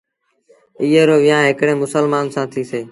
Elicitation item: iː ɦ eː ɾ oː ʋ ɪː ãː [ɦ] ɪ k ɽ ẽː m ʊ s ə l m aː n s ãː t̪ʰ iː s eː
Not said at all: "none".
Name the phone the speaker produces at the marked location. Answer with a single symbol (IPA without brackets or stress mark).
ɦ